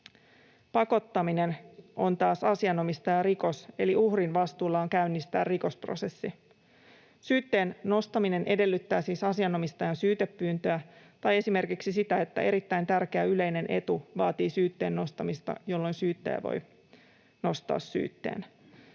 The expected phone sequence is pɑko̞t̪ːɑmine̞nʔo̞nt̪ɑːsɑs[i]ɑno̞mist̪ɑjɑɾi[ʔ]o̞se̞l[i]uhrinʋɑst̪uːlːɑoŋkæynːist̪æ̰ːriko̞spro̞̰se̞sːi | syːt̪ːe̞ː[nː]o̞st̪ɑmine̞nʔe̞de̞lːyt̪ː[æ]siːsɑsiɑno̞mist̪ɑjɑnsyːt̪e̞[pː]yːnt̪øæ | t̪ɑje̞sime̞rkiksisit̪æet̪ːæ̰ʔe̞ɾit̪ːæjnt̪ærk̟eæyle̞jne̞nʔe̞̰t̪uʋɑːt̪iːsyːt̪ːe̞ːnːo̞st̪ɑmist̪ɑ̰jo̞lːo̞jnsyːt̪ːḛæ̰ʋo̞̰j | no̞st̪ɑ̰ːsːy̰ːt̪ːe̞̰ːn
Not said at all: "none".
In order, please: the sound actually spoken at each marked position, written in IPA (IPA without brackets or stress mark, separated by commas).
i, k, i, nː, æː, pː